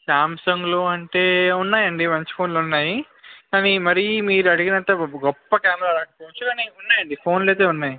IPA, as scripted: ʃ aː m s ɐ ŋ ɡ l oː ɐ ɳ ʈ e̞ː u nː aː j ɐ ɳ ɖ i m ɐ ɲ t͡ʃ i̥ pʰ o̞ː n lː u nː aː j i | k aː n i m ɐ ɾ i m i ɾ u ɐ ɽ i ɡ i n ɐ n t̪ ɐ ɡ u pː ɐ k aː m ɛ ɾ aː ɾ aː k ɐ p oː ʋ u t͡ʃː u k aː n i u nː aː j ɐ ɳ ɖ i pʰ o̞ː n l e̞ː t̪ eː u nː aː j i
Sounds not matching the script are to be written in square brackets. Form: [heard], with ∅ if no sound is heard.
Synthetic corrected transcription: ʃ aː m s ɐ ŋ ɡ l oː ɐ ɳ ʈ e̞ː u nː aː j ɐ ɳ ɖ i m ɐ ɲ t͡ʃ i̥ pʰ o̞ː n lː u nː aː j i | k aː n i m ɐ ɾ i m [iː] ɾ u ɐ ɽ i ɡ i n ɐ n t̪ ɐ ɡ [ɔ] pː ɐ k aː m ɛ ɾ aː ɾ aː k ɐ p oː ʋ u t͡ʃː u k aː n i u nː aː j ɐ ɳ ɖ i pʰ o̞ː n l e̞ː t̪ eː u nː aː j i